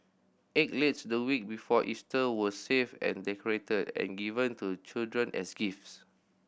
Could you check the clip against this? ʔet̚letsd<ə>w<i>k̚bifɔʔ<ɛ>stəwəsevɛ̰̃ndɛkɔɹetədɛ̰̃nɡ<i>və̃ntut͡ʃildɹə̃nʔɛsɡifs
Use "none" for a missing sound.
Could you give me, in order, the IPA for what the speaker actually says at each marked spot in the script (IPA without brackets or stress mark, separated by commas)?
ə, i, i, i